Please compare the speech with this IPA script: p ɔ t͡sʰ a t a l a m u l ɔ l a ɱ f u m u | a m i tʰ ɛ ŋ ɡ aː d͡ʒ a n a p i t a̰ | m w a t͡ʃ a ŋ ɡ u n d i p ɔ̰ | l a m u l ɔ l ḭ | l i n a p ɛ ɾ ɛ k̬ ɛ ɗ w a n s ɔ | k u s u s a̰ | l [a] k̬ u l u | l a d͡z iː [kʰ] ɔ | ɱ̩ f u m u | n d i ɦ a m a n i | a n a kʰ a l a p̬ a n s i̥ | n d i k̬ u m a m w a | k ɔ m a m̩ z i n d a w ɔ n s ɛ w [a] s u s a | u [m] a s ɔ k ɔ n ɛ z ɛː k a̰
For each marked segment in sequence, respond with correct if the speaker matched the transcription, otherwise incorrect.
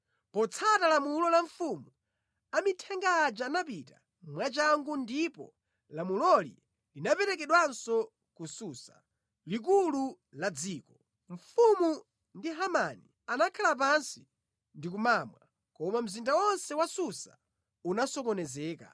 incorrect, incorrect, correct, incorrect

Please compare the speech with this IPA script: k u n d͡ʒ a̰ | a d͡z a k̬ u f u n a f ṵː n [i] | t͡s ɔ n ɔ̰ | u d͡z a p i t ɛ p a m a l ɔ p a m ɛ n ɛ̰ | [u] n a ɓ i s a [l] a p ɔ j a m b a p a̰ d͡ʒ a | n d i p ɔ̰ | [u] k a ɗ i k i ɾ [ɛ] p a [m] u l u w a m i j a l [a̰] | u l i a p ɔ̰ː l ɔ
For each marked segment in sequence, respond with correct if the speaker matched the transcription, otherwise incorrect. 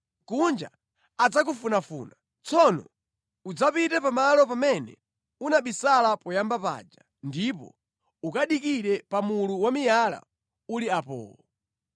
incorrect, correct, correct, correct, correct, correct, correct

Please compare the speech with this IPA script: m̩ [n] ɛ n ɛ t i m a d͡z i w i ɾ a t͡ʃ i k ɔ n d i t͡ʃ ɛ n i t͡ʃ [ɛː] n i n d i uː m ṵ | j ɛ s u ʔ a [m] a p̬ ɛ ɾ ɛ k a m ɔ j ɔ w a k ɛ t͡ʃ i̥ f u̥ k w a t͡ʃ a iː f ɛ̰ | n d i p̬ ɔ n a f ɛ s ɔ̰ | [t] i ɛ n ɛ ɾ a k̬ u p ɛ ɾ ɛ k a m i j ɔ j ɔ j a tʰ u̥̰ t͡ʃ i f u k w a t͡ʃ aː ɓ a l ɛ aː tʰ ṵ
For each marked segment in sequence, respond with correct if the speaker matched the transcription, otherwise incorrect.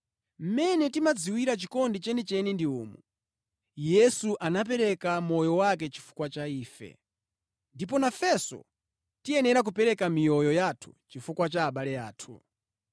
incorrect, incorrect, incorrect, correct

